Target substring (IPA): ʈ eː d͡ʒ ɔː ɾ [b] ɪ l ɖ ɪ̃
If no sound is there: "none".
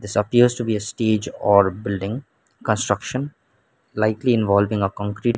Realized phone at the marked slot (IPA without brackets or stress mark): b